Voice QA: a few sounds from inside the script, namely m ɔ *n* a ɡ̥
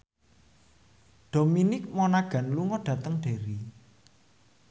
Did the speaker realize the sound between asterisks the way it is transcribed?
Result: yes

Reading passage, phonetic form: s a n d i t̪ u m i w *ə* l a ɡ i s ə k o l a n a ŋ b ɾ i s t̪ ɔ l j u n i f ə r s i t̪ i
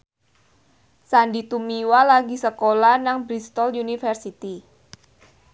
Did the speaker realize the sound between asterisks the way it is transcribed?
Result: no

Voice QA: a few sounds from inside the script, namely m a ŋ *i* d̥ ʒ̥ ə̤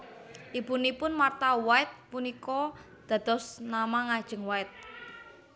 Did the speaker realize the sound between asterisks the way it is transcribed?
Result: no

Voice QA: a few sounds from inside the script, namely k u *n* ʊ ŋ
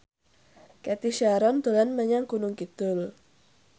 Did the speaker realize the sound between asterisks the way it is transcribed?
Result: yes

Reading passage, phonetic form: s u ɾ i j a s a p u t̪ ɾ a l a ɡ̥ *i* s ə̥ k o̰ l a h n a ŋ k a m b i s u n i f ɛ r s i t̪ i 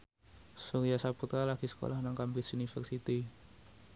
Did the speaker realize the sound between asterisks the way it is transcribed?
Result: yes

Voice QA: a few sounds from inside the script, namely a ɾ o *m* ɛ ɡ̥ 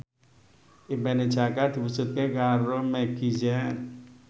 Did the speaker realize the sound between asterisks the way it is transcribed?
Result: yes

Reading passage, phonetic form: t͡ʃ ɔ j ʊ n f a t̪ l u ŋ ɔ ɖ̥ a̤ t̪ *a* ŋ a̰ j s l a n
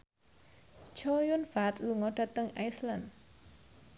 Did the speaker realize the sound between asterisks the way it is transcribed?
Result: no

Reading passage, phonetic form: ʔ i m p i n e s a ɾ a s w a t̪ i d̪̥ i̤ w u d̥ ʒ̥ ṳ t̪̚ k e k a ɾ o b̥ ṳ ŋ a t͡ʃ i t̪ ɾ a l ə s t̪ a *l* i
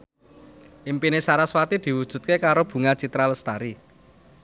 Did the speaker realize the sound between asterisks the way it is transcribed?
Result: no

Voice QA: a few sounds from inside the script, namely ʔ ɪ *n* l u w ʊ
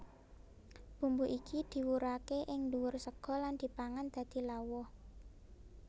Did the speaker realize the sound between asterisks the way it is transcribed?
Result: no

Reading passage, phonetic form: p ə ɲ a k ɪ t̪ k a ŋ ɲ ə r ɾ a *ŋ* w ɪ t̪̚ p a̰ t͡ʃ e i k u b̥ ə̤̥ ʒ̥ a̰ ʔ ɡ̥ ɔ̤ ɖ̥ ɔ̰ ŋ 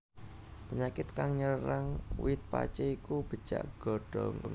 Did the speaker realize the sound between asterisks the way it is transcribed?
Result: yes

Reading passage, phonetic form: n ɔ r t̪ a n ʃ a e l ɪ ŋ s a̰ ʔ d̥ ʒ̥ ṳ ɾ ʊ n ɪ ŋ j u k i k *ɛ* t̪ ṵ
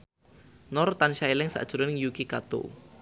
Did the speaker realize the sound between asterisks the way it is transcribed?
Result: no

